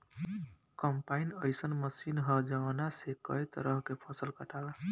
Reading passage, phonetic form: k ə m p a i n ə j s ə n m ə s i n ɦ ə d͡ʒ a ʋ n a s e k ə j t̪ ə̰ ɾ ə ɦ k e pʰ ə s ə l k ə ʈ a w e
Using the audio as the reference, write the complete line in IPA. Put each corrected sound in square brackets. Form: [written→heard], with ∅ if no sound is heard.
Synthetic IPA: k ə m p a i n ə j s ə n m ə s i n ɦ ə d͡ʒ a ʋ n a s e k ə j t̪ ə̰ ɾ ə ɦ k e pʰ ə s ə l k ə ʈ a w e